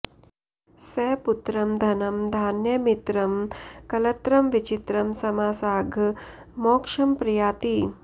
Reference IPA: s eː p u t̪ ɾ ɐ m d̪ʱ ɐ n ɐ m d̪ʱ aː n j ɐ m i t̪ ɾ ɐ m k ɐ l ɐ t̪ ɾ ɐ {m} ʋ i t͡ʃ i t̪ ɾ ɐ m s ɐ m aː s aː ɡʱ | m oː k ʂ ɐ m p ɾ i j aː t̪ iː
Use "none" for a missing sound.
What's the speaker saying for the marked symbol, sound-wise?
m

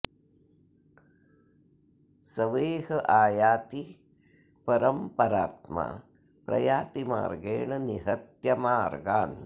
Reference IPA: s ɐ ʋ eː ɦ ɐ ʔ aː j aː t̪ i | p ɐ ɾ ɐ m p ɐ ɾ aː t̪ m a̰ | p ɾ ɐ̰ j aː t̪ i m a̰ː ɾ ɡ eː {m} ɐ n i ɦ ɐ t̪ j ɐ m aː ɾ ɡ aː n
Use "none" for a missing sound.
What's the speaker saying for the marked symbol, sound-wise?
ɳ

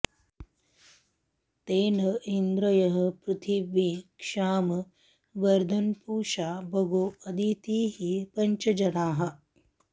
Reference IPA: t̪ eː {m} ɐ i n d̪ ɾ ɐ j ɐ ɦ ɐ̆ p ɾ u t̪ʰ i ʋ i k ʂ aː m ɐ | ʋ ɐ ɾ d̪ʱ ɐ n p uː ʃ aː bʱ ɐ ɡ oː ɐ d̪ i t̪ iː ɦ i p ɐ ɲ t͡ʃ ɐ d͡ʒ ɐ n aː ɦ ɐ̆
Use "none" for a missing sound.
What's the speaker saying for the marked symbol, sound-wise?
n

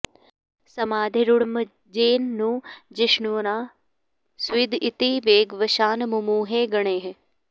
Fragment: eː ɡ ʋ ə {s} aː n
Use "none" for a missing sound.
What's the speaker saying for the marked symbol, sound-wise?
ʃ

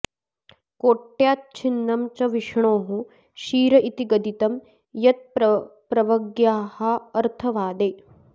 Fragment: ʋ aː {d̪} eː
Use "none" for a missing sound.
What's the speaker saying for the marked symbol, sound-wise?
d̪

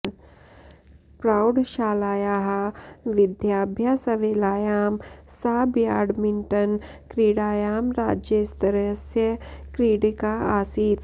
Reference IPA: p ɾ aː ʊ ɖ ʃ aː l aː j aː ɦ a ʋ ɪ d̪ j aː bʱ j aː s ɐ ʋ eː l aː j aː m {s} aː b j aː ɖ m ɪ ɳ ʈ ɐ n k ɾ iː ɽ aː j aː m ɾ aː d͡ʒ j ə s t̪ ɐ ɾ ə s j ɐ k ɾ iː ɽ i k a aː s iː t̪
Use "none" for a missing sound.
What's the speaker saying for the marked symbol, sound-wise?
s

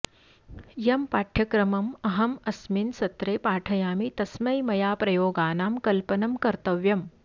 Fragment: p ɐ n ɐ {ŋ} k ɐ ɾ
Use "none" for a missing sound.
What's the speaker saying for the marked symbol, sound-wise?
m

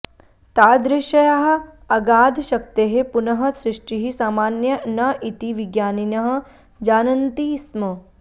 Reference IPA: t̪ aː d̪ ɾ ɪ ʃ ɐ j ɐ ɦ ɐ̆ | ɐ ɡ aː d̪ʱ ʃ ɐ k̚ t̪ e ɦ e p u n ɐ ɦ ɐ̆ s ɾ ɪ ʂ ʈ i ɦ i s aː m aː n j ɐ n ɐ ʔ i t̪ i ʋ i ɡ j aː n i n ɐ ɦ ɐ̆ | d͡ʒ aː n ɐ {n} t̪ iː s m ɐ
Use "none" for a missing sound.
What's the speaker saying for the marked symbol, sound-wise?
n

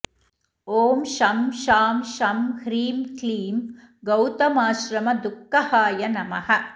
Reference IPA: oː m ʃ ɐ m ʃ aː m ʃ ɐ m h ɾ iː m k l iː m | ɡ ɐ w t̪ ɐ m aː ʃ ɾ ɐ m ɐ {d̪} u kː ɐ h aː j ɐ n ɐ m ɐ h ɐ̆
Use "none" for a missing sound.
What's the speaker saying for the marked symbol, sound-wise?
d̪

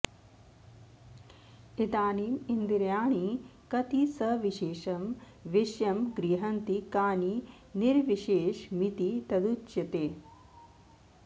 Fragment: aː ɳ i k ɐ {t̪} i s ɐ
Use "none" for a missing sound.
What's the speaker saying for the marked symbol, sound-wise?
t̪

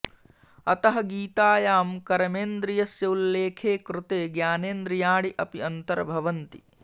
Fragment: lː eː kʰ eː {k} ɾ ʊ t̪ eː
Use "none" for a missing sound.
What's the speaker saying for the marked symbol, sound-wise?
k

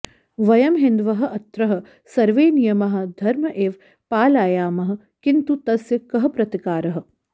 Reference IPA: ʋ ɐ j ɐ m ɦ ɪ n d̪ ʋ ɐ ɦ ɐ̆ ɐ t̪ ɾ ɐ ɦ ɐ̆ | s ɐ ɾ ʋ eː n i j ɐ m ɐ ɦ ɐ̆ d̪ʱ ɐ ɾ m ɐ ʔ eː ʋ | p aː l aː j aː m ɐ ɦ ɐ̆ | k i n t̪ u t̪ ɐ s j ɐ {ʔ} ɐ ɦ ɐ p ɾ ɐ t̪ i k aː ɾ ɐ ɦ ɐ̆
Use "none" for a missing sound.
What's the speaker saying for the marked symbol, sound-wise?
k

